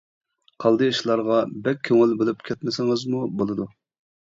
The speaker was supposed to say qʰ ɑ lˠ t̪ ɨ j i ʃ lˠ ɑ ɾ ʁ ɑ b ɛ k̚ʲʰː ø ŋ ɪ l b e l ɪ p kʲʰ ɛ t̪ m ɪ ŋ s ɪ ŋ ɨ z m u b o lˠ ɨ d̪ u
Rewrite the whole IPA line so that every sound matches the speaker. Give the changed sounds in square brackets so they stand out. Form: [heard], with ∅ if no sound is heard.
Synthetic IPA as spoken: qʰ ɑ lˠ [d̪] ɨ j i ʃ lˠ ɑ ɾ ʁ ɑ b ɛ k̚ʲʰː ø ŋ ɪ l b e l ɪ p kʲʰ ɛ t̪ m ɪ [∅] s ɪ ŋ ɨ z m u b o lˠ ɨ d̪ u

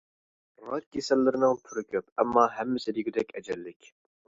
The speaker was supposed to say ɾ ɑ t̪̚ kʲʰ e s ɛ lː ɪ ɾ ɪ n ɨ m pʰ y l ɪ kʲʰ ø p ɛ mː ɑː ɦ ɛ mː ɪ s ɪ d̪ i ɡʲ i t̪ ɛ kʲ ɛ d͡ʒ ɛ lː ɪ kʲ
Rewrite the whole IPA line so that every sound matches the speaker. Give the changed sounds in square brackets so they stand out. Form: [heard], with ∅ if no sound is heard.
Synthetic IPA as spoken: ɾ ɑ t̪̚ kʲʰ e s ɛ lː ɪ ɾ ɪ n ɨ [ŋ] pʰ y [ɾ] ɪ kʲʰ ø p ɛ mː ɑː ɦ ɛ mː ɪ s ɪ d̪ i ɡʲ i [d̪] ɛ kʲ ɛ d͡ʒ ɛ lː ɪ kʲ

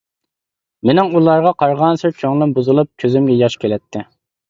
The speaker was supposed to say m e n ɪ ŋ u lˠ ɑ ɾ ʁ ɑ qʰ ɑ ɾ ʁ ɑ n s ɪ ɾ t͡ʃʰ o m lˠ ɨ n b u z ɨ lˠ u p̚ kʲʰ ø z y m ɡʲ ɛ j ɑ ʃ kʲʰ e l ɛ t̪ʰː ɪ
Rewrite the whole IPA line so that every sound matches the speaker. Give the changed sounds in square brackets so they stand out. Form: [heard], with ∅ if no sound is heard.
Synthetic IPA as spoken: m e n ɪ ŋ u lˠ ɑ ɾ ʁ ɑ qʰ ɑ ɾ ʁ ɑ n s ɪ ɾ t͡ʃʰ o [ŋ] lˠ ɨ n b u z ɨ lˠ u p̚ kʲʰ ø z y m ɡʲ ɛ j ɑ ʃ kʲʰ e l ɛ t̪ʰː ɪ

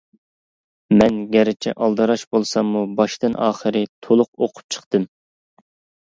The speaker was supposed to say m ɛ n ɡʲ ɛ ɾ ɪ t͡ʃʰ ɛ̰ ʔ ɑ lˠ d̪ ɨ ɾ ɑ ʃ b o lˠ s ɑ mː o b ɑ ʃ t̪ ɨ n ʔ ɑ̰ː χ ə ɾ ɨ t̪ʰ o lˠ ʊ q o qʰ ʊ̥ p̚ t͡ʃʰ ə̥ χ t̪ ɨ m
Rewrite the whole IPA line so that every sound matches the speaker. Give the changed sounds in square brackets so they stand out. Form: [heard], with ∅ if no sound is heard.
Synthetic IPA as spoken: m ɛ n ɡʲ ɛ ɾ ɪ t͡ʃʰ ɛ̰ ʔ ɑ lˠ d̪ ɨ ɾ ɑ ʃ b o lˠ s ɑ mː [u] b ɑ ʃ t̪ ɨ n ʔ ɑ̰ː χ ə ɾ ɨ t̪ʰ o lˠ ʊ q o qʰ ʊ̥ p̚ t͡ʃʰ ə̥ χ t̪ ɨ m

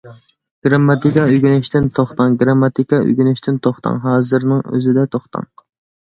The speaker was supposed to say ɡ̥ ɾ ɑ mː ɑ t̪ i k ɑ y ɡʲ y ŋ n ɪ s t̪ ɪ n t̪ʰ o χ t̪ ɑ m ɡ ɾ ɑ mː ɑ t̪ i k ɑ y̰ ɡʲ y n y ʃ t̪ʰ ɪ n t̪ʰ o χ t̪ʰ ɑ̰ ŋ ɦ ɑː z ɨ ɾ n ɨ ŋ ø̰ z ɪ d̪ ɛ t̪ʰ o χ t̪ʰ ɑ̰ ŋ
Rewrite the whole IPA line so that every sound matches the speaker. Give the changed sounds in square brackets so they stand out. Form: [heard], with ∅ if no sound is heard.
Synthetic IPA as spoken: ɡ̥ ɾ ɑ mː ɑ t̪ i k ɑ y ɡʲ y [∅] n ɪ [ʃ] t̪ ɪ n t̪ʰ o χ t̪ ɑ [ŋ] ɡ ɾ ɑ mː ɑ t̪ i k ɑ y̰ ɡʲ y n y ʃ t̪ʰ ɪ n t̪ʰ o χ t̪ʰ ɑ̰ ŋ ɦ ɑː z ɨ ɾ n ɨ ŋ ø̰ z ɪ d̪ ɛ t̪ʰ o χ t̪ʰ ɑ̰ ŋ

